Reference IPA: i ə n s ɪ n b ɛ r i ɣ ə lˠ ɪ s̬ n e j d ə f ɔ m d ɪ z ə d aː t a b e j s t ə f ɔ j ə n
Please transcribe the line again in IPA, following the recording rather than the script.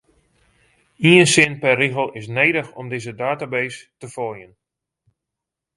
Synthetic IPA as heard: i ə n s ɪ n p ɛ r i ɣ ə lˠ ɪ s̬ n e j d ə x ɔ m d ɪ z ə d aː t a b e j s t ə f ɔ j ə n